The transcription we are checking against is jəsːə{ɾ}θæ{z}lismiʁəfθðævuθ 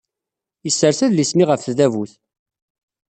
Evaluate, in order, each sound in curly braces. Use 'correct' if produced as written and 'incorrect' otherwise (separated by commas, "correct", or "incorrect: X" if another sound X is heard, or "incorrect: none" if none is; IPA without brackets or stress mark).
correct, incorrect: ð